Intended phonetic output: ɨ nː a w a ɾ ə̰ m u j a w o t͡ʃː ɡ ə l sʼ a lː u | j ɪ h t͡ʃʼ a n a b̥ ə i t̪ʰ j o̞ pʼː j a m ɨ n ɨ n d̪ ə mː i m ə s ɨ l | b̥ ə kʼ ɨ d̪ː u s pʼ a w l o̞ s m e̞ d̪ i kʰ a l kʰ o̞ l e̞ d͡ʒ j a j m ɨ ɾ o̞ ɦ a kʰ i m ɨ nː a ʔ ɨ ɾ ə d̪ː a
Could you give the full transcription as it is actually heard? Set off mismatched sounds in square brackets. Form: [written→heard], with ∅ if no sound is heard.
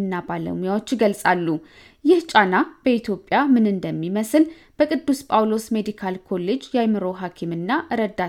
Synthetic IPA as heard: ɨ nː a [w→b] a [ɾ→l] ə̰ m u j a w o t͡ʃː ɡ ə l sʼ a lː u | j ɪ h t͡ʃʼ a n a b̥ ə i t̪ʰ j o̞ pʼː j a m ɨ n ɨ n d̪ ə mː i m ə s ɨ l | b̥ ə kʼ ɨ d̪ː u s pʼ a w l o̞ s m e̞ d̪ i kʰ a l kʰ o̞ l e̞ d͡ʒ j a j m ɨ ɾ o̞ ɦ a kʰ i m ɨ nː a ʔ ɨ ɾ ə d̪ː a